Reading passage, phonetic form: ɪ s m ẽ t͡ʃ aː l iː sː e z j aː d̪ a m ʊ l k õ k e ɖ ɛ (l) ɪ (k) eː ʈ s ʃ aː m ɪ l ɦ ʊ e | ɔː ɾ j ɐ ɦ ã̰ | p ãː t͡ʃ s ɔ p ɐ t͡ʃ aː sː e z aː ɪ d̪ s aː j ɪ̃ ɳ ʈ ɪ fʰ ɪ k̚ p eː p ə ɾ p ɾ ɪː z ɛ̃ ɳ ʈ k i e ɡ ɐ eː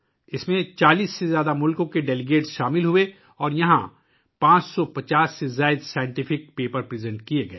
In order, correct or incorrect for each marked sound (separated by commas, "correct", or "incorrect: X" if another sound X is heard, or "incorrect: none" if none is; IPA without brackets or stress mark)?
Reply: correct, incorrect: ɡ